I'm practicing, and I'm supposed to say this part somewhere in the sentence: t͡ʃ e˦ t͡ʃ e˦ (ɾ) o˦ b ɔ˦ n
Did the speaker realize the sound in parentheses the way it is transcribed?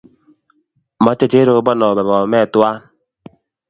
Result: yes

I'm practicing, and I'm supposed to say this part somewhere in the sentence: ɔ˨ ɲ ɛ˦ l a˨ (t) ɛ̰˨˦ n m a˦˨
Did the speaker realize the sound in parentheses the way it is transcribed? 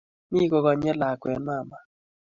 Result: no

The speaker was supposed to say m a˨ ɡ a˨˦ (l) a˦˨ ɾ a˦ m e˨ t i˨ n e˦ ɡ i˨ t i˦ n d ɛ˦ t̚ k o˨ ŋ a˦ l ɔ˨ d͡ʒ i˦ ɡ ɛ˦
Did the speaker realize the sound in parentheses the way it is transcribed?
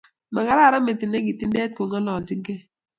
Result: no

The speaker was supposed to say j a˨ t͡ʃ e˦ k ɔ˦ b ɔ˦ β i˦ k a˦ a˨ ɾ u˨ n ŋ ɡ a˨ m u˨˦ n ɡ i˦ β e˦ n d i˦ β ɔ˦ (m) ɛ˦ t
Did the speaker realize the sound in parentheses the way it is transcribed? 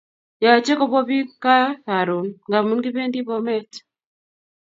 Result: yes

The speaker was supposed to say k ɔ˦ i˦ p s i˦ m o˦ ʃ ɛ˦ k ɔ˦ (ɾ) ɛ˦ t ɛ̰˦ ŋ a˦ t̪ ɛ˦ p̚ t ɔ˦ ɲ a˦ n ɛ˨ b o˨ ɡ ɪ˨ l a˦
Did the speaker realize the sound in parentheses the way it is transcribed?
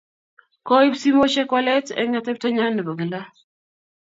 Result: no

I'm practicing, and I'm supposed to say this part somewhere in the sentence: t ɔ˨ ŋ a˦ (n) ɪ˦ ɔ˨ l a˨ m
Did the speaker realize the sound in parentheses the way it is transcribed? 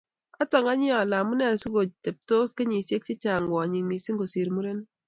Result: no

